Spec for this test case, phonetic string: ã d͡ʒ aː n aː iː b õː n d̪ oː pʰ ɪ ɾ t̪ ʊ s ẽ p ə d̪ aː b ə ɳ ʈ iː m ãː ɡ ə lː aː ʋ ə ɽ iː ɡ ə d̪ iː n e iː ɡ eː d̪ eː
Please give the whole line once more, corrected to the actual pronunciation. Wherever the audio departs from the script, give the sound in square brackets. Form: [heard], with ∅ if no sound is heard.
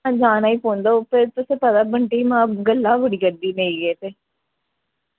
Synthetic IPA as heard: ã d͡ʒ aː n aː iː [p] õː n d̪ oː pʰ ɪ ɾ t̪ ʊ s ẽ p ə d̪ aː b ə ɳ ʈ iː m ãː ɡ ə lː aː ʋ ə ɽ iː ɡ ə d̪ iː n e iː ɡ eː [t̪] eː

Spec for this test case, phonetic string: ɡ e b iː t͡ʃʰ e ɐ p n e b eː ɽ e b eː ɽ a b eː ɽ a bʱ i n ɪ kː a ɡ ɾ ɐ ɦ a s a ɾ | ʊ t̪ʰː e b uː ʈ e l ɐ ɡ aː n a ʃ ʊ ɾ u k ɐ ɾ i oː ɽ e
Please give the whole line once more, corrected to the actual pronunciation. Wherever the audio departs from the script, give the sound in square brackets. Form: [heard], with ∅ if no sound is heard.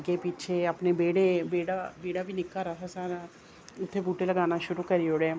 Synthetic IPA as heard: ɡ e [p] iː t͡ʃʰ e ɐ p n e b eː ɽ e b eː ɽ a b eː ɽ a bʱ i n ɪ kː a [∅] ɾ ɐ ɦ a s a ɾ | ʊ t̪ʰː e b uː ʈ e l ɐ ɡ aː n a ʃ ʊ ɾ u k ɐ ɾ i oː ɽ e

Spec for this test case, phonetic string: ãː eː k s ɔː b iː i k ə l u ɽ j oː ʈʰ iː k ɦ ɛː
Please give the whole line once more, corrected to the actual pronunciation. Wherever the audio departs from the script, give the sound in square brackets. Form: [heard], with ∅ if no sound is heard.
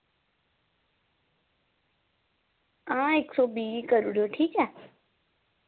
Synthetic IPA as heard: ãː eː k s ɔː b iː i k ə [ɾ] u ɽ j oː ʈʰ iː k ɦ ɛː

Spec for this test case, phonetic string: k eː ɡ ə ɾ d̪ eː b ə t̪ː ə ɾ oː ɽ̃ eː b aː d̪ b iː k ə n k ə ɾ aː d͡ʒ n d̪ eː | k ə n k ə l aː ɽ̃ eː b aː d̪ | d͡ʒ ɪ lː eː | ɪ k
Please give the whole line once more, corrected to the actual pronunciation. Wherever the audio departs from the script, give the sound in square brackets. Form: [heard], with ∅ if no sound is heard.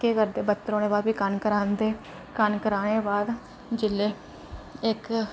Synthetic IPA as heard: k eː [k] ə ɾ d̪ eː b ə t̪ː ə ɾ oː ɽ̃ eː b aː d̪ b iː k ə n k ə ɾ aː [∅] n d̪ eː | k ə n k ə [ɾ] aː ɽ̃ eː b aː d̪ | d͡ʒ ɪ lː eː | ɪ k

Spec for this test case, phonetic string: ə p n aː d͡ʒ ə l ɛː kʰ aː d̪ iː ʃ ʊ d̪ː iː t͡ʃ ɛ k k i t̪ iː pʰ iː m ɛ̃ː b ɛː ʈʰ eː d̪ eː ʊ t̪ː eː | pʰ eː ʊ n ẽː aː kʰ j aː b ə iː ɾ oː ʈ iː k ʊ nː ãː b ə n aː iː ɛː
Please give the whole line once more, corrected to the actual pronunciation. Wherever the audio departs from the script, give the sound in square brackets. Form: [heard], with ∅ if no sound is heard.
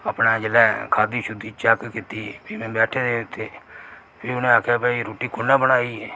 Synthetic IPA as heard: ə p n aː d͡ʒ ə l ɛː kʰ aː d̪ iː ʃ ʊ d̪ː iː t͡ʃ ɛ k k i t̪ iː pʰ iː m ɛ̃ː b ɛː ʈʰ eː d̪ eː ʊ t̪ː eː | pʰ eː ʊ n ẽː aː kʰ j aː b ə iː ɾ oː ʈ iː k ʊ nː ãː b ə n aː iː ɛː

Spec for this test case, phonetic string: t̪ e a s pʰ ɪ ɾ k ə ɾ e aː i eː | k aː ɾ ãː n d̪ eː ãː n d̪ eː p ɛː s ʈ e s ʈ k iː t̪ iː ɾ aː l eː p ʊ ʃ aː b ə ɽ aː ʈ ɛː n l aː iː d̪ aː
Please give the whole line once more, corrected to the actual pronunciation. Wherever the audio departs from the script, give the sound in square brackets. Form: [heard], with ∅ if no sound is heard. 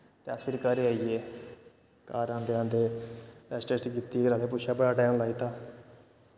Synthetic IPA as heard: t̪ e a s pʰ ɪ ɾ k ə ɾ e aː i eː | k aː ɾ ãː n d̪ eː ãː n d̪ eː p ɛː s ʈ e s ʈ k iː t̪ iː ɾ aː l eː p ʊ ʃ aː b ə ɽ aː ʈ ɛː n l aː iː [t̪] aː

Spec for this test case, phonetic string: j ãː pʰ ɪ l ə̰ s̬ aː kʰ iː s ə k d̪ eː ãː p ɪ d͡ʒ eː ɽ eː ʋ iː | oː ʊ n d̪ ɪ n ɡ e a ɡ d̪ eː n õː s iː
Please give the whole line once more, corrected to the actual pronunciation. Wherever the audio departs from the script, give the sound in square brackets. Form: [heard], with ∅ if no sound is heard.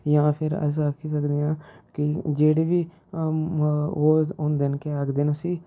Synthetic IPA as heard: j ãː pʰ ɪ [ɾ] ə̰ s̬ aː kʰ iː s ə k d̪ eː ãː [k] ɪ d͡ʒ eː ɽ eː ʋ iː | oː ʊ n d̪ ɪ n [k] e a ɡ d̪ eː n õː s iː

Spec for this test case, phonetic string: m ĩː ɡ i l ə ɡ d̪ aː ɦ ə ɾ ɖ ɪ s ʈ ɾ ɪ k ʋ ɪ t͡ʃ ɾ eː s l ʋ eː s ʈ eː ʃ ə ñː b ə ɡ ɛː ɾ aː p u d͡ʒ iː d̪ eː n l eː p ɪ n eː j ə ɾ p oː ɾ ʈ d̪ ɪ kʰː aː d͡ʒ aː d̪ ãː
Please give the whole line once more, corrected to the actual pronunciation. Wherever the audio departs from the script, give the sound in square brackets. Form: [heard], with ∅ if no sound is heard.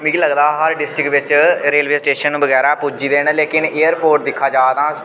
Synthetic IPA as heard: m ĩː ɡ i l ə ɡ d̪ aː ɦ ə ɾ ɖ ɪ s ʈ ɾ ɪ k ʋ ɪ t͡ʃ ɾ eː [∅] l ʋ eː s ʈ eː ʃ ə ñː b ə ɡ ɛː ɾ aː p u d͡ʒ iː d̪ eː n l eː [k] ɪ n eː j ə ɾ p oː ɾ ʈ d̪ ɪ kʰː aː d͡ʒ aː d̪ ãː

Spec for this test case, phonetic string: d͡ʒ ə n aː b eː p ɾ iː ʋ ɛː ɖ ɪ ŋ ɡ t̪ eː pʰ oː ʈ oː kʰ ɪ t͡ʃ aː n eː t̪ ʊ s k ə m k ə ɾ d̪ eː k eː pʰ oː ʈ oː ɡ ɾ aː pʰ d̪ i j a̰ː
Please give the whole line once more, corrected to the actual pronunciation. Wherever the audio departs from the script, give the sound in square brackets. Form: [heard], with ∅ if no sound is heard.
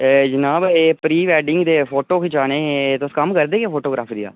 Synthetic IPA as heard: d͡ʒ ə n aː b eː p ɾ iː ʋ ɛː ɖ ɪ ŋ ɡ [d̪] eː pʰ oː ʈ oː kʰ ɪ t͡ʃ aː n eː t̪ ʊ s k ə m k ə ɾ d̪ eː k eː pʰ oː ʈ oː ɡ ɾ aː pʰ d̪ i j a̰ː

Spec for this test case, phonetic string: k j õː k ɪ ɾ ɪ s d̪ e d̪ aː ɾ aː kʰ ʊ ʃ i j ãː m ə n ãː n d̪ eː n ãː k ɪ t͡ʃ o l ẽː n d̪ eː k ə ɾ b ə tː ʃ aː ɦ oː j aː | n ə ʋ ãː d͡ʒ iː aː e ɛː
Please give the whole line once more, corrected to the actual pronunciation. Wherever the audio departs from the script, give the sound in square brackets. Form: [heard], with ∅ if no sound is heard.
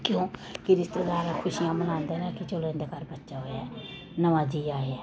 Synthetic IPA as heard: k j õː k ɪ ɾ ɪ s [t̪] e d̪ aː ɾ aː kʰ ʊ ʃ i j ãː m ə n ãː n d̪ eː n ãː k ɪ t͡ʃ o l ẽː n d̪ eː k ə ɾ b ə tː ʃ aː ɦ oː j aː | n ə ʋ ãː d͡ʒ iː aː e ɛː

